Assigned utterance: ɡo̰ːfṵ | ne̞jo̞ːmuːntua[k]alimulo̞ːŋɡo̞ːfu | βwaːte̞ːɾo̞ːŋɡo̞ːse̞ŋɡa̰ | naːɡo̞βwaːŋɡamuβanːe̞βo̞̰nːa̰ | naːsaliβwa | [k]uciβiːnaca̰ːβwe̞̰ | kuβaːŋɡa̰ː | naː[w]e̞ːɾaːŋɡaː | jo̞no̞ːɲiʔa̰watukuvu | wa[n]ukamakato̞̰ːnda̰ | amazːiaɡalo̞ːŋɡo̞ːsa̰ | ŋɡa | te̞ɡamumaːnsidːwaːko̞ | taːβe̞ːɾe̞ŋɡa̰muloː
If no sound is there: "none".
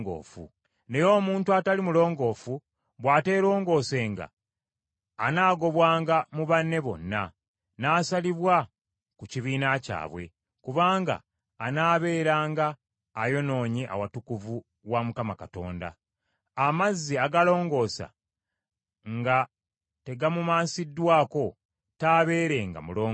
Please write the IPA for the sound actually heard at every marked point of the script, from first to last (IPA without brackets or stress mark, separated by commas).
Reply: t, k, β, m